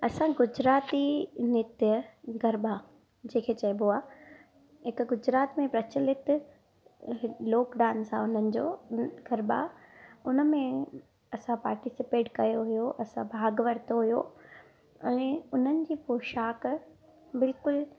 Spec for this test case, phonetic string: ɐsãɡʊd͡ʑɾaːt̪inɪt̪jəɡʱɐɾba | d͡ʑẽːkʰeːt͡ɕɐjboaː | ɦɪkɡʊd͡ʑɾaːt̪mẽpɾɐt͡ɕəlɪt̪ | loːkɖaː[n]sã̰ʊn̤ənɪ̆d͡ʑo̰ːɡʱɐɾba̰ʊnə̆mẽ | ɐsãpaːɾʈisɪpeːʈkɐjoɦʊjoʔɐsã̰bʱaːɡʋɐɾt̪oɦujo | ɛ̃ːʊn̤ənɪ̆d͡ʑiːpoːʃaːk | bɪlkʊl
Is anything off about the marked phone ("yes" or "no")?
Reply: no